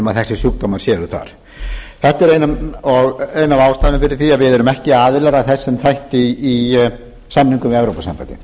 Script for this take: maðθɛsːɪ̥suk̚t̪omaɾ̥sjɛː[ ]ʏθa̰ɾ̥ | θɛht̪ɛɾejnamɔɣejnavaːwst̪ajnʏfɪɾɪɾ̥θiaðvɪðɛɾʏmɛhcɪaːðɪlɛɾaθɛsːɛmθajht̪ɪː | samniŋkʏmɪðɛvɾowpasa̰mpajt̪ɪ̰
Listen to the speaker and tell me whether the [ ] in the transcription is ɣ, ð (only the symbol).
ð